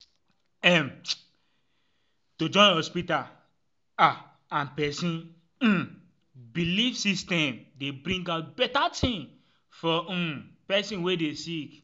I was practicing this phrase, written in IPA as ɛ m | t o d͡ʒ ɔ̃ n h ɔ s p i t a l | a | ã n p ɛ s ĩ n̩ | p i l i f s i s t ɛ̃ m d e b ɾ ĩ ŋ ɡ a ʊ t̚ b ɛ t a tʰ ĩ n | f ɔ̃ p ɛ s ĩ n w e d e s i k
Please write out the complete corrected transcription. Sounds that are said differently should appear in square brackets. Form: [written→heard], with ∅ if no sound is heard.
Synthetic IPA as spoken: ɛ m | t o d͡ʒ ɔ̃ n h ɔ s p i t a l | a | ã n p ɛ s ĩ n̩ | [p→b] i l i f s i s t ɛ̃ m d e b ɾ ĩ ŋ ɡ a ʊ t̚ b ɛ t a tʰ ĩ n | f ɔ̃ p ɛ s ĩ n w e d e s i k